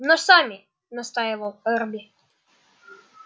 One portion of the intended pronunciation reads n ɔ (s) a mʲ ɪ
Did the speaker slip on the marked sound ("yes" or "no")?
no